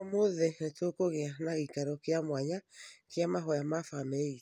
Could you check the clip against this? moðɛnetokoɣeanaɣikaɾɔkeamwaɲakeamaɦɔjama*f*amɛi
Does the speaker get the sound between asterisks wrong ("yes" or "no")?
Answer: no